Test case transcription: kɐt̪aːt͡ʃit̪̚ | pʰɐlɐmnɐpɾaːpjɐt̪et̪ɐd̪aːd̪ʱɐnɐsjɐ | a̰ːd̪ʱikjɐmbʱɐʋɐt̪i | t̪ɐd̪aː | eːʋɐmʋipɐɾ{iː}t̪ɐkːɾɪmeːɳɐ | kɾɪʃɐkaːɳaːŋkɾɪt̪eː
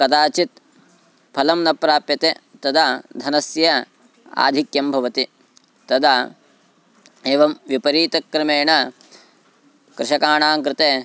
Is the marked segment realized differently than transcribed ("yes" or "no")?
no